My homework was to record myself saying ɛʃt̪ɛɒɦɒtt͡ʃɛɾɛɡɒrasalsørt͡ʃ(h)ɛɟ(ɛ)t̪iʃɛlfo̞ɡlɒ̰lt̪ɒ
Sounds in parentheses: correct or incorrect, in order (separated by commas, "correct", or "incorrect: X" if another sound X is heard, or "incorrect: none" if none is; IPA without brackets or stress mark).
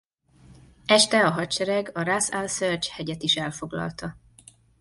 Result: correct, correct